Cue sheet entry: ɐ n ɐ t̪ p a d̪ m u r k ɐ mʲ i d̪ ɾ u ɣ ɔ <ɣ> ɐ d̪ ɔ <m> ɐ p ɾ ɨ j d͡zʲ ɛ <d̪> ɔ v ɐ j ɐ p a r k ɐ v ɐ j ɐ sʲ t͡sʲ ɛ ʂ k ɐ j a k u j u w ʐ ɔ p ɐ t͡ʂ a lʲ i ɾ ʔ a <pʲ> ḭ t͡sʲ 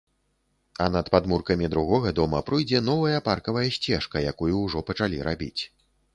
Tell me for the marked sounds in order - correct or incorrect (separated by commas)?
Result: correct, correct, incorrect, incorrect